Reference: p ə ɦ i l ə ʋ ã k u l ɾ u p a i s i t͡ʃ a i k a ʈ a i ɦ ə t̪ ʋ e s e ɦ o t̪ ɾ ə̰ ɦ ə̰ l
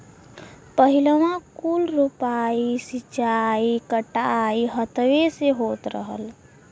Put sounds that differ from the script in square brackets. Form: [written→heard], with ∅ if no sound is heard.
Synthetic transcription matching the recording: p ə ɦ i l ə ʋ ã k u l ɾ u p a i s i t͡ʃ a i k [a→ə] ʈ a i ɦ ə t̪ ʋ e s e ɦ o t̪ ɾ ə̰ ɦ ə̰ l